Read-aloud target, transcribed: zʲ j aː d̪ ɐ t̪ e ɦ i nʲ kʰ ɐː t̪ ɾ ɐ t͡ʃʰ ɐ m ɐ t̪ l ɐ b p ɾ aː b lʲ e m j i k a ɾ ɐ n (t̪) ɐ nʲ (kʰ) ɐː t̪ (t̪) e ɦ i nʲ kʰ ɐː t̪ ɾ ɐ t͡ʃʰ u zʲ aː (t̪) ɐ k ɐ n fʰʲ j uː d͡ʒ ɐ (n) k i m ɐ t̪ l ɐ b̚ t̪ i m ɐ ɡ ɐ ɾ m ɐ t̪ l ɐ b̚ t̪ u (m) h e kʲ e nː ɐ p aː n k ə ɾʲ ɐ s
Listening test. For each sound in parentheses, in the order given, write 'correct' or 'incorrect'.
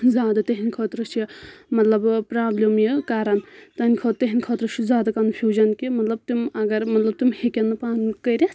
correct, correct, correct, incorrect: d̪, correct, correct

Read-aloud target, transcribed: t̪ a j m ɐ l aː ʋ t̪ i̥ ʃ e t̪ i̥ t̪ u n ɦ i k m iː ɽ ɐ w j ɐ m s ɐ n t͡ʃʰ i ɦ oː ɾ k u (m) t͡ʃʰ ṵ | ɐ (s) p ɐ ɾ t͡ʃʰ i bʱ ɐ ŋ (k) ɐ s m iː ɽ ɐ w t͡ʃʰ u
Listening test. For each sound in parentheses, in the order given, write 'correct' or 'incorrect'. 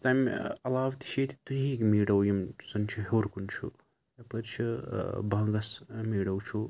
incorrect: n, incorrect: none, incorrect: ɡ

